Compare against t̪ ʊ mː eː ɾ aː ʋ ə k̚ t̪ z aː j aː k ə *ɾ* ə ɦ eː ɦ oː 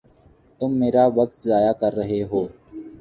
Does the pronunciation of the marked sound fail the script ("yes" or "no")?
yes